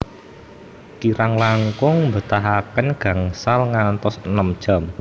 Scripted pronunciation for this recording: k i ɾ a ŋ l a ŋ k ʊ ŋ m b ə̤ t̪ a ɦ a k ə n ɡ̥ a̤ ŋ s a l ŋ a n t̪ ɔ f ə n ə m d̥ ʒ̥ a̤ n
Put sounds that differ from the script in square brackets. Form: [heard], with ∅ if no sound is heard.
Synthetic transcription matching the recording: k i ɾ a ŋ l a ŋ k ʊ ŋ m b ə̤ t̪ a ɦ a k ə n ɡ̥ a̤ ŋ s a l ŋ a n t̪ ɔ [s] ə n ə m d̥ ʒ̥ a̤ [m]